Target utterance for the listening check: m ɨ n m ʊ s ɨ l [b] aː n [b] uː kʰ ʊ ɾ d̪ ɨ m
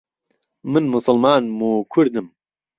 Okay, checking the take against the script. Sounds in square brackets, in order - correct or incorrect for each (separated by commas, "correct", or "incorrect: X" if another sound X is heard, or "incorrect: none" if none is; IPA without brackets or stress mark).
incorrect: m, incorrect: m